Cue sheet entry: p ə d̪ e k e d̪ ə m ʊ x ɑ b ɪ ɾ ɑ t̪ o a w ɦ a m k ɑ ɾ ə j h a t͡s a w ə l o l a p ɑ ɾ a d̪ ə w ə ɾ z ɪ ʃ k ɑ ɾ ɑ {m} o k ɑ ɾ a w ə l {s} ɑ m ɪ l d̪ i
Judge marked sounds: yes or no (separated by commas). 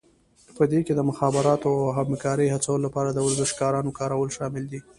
no, no